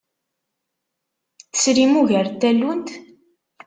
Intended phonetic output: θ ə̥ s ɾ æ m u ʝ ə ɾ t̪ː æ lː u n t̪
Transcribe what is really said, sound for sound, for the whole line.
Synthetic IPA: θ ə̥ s ɾ i m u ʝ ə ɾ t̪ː æ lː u n t̪